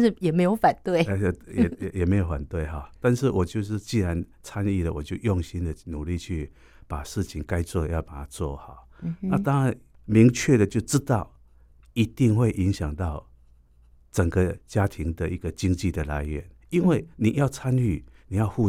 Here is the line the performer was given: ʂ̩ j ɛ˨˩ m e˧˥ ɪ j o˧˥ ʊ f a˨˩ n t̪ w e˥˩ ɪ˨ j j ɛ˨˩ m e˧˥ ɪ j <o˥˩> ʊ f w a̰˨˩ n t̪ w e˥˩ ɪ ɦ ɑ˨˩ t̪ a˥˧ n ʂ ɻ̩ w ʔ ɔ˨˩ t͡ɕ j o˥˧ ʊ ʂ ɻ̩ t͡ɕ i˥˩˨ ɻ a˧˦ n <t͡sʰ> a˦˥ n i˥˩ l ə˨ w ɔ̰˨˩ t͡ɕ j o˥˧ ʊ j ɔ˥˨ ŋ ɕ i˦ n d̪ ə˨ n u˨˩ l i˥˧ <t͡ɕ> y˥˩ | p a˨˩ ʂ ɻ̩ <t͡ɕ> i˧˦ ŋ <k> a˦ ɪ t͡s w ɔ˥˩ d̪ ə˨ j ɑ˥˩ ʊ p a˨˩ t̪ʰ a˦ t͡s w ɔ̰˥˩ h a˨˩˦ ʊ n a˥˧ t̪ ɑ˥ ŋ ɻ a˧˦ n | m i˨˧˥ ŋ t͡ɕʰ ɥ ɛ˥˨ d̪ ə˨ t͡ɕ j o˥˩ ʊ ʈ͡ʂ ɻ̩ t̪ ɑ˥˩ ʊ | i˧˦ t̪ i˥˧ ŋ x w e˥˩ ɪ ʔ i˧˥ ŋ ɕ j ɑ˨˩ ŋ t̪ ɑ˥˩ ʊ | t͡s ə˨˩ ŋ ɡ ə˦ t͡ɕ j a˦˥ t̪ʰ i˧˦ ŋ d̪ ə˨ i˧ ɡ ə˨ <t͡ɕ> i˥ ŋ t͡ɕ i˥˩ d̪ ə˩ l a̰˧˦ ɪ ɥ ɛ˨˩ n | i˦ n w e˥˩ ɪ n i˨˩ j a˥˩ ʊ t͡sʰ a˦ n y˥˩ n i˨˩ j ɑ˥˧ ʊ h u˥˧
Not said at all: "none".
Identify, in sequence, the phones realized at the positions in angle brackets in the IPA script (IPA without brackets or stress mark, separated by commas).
o˨˧, t͡sʰ, t͡ɕʰ, t͡ɕʰ, k, t͡ɕ